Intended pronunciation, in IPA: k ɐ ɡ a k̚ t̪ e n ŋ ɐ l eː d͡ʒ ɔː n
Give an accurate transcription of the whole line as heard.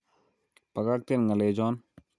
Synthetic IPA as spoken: p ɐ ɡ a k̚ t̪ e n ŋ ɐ l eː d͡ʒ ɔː n